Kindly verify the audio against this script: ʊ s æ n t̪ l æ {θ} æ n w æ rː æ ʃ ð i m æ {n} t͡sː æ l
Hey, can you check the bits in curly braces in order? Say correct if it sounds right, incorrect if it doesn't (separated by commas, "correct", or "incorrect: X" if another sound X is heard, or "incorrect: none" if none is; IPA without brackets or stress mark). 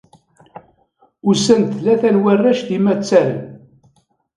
correct, incorrect: none